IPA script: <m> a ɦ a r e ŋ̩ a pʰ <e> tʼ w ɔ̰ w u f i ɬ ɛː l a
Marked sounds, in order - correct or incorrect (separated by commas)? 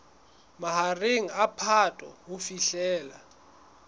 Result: correct, incorrect